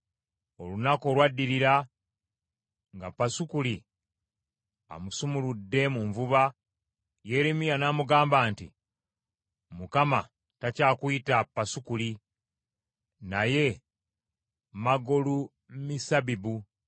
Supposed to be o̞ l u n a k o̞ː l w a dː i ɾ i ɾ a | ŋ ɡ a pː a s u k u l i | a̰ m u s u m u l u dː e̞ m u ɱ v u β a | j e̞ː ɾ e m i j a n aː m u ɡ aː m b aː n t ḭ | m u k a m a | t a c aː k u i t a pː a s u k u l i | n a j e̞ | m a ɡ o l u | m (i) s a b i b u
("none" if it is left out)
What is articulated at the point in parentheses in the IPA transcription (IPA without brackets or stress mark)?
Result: i